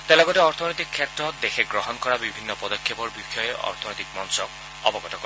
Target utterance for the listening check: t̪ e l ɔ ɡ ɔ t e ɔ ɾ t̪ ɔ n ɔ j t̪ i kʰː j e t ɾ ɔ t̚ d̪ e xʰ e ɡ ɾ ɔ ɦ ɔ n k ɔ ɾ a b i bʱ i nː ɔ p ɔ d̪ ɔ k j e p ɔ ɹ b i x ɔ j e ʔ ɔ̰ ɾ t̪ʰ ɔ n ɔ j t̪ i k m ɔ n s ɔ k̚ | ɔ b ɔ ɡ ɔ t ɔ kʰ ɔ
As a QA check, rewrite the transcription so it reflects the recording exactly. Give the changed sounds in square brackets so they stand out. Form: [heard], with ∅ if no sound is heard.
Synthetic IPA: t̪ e l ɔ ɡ ɔ t e ɔ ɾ [t̪ʰ] ɔ n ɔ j t̪ i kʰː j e t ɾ ɔ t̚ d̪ e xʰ e ɡ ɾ ɔ ɦ ɔ n k ɔ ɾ a b i bʱ i nː ɔ p ɔ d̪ ɔ [kʰ] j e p ɔ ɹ b i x ɔ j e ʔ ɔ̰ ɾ t̪ʰ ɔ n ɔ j t̪ i k m ɔ n s ɔ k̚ | ɔ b ɔ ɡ ɔ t ɔ [k] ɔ